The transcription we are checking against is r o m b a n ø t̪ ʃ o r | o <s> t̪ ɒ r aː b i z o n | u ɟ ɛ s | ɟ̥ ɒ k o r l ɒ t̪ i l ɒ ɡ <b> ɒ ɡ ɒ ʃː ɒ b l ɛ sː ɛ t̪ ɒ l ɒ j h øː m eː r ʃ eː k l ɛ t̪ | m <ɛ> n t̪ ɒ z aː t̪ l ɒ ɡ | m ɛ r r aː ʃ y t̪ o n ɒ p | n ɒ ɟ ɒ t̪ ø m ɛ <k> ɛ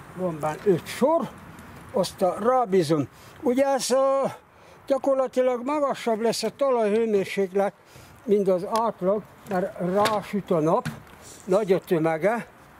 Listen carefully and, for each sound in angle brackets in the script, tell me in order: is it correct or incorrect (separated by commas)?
correct, incorrect, incorrect, incorrect